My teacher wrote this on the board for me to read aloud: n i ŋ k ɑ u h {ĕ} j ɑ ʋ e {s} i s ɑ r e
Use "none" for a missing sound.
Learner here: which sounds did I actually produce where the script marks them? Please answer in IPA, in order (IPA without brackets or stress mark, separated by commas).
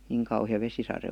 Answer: ĭ, s